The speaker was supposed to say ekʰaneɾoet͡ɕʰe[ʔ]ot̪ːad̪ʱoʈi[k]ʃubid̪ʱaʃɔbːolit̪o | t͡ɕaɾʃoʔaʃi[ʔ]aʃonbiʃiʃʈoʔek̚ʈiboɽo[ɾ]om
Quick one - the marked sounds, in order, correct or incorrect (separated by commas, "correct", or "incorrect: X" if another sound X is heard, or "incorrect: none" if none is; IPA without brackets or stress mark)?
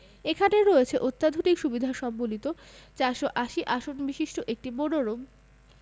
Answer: correct, correct, correct, correct